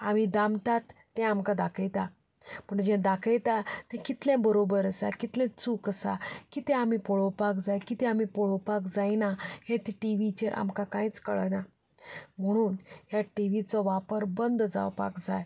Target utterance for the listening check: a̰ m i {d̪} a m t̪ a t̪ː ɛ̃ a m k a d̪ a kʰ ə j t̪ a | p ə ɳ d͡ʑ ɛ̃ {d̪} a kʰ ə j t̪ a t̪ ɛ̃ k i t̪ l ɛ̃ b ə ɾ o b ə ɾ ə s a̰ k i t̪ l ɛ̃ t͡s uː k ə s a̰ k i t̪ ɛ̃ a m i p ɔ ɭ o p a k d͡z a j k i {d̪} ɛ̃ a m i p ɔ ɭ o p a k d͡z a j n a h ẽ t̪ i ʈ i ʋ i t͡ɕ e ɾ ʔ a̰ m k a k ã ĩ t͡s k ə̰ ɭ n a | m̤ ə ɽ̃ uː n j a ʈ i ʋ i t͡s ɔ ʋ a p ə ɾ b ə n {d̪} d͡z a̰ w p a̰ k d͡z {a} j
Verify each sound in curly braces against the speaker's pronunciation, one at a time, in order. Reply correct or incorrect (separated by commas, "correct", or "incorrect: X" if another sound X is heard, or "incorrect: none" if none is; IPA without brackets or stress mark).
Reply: correct, correct, incorrect: t̪, correct, correct